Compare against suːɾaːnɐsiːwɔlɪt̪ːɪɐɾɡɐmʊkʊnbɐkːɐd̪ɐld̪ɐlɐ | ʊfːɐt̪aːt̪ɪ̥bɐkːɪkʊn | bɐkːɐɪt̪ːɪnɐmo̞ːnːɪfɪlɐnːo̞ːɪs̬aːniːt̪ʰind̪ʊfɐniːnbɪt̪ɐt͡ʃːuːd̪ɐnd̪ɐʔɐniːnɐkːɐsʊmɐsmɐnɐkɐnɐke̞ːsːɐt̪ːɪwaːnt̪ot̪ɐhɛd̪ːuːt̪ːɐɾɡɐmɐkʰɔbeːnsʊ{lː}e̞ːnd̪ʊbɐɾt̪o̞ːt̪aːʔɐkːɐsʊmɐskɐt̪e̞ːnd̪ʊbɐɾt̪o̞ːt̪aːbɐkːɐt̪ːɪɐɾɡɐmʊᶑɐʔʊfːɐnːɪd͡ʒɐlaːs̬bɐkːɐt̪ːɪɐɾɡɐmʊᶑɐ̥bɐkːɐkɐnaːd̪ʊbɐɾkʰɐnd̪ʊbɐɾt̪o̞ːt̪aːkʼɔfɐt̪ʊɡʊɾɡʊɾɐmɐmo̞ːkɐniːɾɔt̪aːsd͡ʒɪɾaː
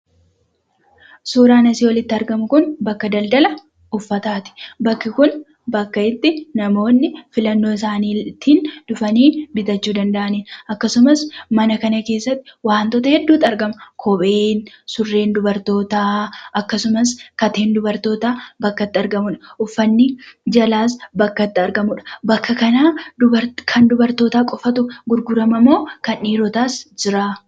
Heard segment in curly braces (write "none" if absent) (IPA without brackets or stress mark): rː